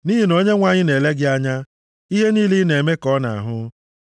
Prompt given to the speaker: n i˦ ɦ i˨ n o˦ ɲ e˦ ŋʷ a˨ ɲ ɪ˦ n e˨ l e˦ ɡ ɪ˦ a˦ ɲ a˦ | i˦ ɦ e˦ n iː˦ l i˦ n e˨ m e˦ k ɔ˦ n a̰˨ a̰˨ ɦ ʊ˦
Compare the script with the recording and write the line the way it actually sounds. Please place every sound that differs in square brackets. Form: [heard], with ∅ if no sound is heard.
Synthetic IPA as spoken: n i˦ ɦ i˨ n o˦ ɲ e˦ ŋʷ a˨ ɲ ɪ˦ n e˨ l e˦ ɡ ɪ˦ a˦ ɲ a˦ | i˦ ɦ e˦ n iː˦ l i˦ n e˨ m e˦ k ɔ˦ n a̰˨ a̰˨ ɦ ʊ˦